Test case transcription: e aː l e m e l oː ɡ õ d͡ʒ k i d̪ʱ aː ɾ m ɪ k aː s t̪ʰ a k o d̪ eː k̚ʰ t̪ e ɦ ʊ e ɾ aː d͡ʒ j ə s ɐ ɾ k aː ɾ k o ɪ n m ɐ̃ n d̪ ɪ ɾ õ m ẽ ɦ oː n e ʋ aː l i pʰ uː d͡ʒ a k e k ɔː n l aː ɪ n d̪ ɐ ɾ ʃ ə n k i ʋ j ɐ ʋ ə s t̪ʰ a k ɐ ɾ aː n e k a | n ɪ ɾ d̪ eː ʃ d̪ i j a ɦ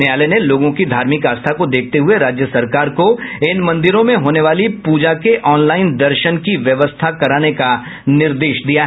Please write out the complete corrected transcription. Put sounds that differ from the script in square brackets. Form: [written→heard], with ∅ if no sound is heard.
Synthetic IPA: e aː l e [m→n] e l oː ɡ õ [d͡ʒ→∅] k i d̪ʱ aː ɾ m ɪ k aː s t̪ʰ a k o d̪ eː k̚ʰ t̪ e ɦ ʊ e ɾ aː d͡ʒ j ə s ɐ ɾ k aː ɾ k o ɪ n m ɐ̃ n d̪ ɪ ɾ õ m ẽ ɦ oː n e ʋ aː l i [pʰ→p] uː d͡ʒ a k e [k→ʔ] ɔː n l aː ɪ n d̪ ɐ ɾ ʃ ə n k i ʋ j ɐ ʋ ə s t̪ʰ a k ɐ ɾ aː n e k a | n ɪ ɾ d̪ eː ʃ d̪ i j a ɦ